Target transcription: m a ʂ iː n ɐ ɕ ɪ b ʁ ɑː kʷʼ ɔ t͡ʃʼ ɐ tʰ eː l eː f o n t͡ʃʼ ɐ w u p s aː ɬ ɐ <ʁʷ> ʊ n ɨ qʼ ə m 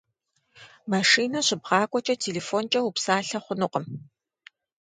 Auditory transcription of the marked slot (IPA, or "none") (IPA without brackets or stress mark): χʷ